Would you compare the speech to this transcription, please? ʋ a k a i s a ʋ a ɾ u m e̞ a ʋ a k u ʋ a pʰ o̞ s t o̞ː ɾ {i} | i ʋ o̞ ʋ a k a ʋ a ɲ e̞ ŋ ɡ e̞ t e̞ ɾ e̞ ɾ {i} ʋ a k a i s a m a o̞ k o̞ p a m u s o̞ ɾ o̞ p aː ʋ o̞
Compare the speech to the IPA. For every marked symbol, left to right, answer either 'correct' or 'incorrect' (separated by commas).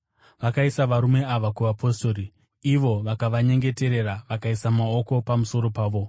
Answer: correct, incorrect